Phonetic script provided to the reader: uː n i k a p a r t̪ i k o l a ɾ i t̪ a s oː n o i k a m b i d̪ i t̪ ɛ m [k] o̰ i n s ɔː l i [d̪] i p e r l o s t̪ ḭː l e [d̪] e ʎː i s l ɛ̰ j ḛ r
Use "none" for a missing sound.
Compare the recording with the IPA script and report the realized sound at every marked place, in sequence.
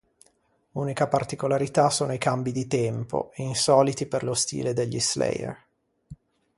p, t̪, d̪

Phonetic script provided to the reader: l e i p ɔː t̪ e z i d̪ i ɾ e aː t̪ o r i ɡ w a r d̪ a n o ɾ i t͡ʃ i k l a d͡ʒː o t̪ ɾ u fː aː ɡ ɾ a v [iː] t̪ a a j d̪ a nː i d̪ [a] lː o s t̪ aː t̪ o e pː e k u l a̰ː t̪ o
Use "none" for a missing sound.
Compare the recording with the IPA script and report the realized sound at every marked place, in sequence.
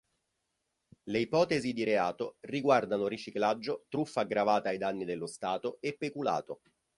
aː, e

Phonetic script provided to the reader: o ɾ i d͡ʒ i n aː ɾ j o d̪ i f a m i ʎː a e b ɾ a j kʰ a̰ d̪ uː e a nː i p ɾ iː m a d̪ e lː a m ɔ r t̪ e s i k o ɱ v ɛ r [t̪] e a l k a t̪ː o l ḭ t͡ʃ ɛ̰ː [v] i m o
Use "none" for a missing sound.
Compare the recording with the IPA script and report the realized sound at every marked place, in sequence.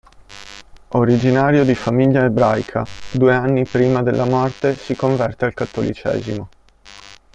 t̪, z

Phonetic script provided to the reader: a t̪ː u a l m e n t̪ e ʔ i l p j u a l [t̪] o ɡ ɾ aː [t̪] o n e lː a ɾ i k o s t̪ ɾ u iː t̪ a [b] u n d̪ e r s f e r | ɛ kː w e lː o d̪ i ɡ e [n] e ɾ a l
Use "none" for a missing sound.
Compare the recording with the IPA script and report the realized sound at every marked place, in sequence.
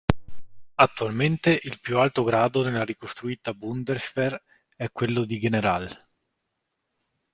t̪, d̪, b, n

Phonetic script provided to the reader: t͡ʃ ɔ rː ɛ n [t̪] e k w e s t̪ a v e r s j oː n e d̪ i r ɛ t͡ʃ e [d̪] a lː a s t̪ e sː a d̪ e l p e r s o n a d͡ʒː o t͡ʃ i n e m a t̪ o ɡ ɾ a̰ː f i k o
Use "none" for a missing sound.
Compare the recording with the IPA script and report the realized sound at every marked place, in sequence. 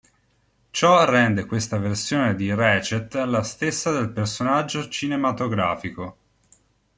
d̪, t̪

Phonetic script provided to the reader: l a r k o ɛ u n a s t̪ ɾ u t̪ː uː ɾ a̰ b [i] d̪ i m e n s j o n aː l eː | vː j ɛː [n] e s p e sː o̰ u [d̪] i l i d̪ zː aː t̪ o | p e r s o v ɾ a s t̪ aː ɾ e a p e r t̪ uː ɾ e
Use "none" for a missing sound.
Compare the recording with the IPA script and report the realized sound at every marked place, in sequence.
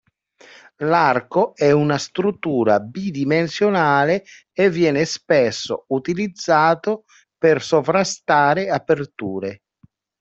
i, n, t̪

